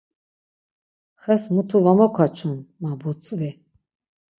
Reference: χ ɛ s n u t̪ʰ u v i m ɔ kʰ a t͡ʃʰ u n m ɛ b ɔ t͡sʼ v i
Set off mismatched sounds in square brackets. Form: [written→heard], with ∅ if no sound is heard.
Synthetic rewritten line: χ ɛ s [n→m] u t̪ʰ u v [i→a] m ɔ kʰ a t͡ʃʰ u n m [ɛ→a] b [ɔ→u] t͡sʼ v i